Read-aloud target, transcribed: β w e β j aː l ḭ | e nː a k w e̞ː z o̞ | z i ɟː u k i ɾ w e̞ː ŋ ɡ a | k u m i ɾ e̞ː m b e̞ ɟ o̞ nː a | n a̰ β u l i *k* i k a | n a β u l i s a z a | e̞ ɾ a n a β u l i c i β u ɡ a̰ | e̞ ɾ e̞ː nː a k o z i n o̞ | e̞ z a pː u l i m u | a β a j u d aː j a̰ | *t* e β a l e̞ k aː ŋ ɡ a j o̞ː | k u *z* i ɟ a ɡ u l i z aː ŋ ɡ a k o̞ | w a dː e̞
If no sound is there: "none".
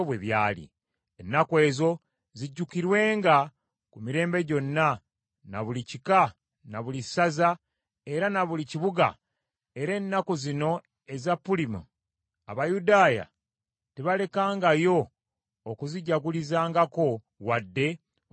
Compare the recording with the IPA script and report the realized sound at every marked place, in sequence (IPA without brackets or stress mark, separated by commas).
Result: c, t, z